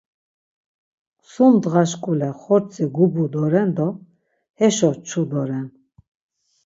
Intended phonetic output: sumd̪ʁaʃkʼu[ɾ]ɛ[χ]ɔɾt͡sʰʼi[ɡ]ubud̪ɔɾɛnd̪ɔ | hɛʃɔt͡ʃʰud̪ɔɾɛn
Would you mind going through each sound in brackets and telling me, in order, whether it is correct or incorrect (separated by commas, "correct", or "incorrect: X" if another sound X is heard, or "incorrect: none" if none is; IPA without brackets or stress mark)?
incorrect: l, correct, correct